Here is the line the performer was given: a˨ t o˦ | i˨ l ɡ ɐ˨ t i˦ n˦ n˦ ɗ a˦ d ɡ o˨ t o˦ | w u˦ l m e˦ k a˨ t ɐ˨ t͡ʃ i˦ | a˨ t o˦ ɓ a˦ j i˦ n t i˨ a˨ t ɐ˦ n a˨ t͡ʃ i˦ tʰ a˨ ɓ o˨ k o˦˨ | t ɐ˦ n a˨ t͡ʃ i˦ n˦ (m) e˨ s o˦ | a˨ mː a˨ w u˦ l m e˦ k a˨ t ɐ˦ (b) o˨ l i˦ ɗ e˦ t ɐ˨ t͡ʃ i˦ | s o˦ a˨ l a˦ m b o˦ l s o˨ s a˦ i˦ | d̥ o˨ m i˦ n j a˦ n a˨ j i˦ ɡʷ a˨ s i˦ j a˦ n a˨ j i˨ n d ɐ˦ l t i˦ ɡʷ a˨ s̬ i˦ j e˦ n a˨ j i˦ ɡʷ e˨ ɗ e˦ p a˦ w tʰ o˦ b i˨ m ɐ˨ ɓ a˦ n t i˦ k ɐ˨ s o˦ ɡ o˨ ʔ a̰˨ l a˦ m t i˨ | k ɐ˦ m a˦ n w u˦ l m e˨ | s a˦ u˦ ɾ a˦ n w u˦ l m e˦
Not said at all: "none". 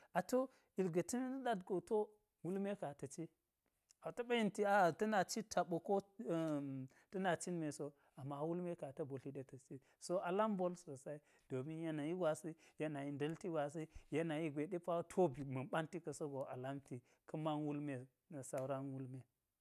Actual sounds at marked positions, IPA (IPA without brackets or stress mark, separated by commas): m, b